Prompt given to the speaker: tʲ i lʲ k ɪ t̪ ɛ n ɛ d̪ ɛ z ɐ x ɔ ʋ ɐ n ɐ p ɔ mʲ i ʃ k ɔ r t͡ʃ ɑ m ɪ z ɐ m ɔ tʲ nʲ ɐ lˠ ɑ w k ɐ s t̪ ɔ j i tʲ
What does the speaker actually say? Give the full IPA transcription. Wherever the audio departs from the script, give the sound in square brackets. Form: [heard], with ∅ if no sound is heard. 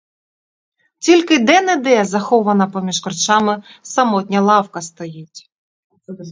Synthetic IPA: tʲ i lʲ k ɪ [d̪] ɛ n ɛ d̪ ɛ z ɐ x ɔ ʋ ɐ n ɐ p ɔ mʲ i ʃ k ɔ r t͡ʃ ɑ m ɪ [s] ɐ m ɔ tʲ nʲ ɐ lˠ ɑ w k ɐ s t̪ ɔ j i tʲ